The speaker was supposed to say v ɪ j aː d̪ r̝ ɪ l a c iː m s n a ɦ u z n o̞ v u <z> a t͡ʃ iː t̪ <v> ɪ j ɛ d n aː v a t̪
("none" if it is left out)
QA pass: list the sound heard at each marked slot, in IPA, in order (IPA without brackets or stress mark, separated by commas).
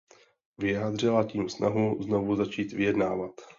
z, v